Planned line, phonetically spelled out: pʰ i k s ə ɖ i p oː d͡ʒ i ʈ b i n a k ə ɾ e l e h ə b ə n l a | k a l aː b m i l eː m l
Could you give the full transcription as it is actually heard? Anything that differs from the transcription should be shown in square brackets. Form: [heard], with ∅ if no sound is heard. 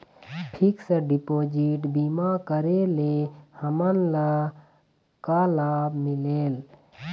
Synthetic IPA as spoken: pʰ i k s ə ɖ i p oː d͡ʒ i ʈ b i [m] a k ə ɾ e l e h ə [m] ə n l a | k a l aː b m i l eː [∅] l